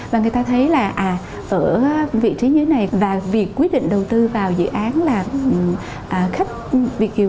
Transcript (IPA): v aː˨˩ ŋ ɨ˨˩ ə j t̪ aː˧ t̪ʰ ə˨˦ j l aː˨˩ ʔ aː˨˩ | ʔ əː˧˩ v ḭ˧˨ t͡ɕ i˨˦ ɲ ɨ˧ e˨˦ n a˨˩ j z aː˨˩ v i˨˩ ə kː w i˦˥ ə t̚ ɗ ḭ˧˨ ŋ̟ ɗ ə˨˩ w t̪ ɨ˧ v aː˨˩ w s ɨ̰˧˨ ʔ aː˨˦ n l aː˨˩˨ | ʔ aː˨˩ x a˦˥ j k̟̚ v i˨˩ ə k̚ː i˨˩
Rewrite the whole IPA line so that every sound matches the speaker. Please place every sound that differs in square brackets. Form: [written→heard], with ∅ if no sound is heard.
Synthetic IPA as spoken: v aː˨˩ ŋ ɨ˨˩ ə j t̪ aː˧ t̪ʰ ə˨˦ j l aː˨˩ ʔ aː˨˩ | ʔ əː˧˩ v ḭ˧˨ t͡ɕ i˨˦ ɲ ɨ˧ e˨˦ n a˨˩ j [z→v] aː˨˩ v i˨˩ ə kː w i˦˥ ə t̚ ɗ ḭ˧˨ ŋ̟ ɗ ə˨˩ w t̪ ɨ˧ v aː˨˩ w [s→z] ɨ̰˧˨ ʔ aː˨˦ n l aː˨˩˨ | ʔ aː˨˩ x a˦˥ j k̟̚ v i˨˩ ə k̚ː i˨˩